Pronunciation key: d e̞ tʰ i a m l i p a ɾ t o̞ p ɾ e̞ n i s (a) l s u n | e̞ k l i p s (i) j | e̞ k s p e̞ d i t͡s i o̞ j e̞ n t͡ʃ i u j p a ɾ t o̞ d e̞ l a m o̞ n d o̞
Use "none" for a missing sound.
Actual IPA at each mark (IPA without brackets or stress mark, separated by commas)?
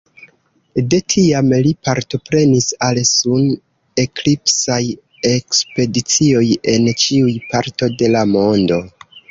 a, a